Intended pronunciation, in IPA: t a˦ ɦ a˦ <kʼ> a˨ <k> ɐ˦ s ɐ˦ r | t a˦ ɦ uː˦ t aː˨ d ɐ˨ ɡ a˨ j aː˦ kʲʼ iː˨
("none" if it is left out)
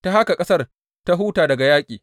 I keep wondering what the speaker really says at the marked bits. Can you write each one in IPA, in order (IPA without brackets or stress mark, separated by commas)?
k, kʼ